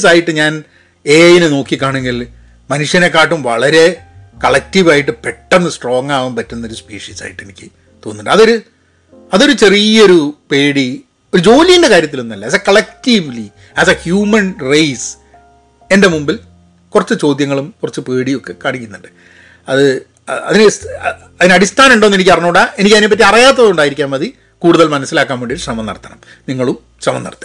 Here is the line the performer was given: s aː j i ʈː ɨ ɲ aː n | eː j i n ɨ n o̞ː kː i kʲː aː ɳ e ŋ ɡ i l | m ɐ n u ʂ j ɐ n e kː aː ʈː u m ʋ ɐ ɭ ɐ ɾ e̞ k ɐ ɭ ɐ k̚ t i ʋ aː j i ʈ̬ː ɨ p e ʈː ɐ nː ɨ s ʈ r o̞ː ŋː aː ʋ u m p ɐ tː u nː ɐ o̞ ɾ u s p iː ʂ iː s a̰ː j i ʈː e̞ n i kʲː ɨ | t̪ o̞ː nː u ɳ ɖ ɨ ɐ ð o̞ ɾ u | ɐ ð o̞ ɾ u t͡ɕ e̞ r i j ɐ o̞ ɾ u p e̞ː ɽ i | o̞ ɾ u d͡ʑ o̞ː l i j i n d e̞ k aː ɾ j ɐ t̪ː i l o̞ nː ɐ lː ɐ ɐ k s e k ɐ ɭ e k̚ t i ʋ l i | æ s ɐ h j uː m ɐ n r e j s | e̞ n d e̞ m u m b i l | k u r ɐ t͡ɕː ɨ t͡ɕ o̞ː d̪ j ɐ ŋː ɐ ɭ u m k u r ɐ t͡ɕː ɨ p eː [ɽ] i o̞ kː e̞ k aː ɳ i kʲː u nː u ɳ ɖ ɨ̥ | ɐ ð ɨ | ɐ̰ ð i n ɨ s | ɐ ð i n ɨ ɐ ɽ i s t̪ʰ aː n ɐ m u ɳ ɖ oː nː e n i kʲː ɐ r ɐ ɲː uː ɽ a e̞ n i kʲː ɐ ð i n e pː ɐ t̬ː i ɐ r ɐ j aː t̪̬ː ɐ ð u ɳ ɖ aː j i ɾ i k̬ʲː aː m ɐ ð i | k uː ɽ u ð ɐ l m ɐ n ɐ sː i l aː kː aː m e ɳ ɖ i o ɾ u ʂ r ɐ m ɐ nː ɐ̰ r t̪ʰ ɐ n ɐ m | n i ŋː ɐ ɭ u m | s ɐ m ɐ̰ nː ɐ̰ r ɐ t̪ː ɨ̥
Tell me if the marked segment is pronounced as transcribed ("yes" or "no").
yes